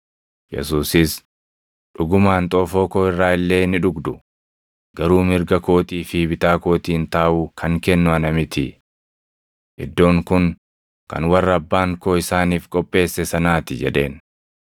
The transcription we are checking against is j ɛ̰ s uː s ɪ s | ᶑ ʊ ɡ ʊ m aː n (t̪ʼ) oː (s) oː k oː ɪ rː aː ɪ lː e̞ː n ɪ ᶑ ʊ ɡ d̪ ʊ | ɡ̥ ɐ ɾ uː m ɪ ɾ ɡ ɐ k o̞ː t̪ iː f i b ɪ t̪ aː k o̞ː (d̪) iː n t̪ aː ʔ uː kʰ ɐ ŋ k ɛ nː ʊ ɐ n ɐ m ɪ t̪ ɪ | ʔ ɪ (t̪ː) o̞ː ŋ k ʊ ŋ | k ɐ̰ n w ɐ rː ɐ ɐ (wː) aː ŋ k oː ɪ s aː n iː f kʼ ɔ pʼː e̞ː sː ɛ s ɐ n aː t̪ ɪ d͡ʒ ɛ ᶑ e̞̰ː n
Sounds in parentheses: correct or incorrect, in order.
correct, incorrect, incorrect, incorrect, incorrect

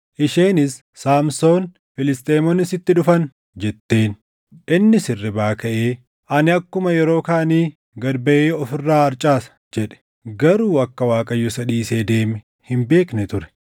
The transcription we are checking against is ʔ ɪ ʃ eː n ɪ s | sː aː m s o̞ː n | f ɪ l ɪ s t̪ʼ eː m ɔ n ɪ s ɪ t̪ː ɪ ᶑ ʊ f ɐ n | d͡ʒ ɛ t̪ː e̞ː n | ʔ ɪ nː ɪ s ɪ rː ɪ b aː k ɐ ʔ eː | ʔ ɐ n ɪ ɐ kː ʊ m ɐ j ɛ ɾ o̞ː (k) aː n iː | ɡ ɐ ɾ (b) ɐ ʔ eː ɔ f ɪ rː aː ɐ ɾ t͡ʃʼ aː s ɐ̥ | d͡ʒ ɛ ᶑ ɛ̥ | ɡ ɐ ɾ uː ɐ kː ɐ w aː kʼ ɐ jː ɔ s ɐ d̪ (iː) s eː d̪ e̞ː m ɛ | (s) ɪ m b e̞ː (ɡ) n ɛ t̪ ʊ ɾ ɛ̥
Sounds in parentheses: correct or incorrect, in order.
correct, correct, correct, incorrect, incorrect

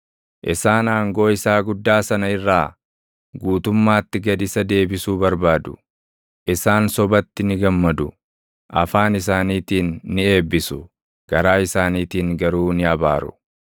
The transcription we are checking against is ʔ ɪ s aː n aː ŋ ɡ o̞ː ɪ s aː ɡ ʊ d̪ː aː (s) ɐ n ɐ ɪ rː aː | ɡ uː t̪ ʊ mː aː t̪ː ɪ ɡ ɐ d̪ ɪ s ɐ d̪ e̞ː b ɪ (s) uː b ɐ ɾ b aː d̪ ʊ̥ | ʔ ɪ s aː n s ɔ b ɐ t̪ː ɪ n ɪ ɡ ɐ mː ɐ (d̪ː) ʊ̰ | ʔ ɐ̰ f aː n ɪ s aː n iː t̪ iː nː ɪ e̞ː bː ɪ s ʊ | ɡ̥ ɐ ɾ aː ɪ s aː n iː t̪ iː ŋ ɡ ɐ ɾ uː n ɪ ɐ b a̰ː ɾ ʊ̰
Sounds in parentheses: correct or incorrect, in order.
correct, correct, incorrect

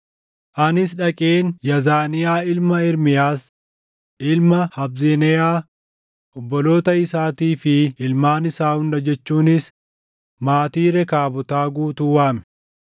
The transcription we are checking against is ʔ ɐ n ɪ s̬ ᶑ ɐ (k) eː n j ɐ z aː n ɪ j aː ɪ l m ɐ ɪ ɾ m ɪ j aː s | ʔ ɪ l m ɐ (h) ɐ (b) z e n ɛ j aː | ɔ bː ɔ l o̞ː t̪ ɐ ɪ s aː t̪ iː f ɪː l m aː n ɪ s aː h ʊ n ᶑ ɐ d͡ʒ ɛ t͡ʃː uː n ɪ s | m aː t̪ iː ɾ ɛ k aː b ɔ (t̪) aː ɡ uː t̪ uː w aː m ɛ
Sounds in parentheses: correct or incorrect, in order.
incorrect, correct, correct, correct

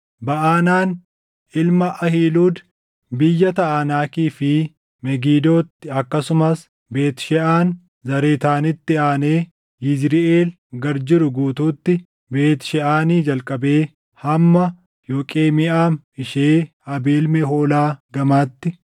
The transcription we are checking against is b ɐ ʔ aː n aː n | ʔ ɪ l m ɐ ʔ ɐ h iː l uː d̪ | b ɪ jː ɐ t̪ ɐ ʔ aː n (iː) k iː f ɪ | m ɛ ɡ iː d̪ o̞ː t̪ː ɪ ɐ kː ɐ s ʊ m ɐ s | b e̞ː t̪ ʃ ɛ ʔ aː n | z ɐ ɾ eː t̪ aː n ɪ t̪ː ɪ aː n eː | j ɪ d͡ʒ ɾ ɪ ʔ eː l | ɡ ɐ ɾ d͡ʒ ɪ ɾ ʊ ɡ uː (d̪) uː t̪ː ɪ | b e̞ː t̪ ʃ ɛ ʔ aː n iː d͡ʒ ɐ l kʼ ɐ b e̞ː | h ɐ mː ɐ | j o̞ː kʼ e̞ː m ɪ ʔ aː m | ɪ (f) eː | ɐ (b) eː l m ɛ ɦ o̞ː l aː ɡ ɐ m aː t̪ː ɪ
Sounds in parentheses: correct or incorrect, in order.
incorrect, incorrect, incorrect, correct

